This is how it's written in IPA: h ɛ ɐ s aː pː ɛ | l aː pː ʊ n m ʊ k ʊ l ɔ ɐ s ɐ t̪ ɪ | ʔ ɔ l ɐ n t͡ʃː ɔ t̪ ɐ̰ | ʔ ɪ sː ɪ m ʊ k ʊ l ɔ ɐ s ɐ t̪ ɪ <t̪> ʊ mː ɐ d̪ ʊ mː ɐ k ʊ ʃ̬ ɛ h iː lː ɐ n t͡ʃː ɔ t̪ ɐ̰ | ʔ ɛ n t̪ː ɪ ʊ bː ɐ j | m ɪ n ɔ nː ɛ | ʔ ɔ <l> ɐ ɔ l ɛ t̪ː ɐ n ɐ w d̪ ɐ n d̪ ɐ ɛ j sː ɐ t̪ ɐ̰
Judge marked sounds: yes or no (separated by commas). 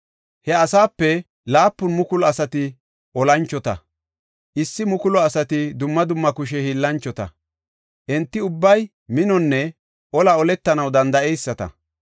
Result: no, yes